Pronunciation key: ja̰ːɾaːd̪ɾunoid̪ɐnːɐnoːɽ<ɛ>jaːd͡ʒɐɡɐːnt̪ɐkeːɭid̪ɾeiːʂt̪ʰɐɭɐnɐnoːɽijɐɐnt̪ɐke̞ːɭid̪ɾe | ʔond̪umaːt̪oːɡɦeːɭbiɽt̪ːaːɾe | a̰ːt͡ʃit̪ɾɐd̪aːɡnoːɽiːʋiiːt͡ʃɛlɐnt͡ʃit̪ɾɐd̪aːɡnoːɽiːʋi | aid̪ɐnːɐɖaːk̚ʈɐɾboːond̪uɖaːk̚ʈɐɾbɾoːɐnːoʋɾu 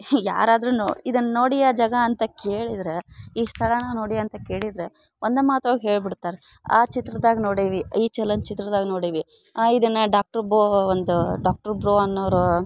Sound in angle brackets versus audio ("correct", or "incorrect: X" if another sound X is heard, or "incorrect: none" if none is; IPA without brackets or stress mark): incorrect: i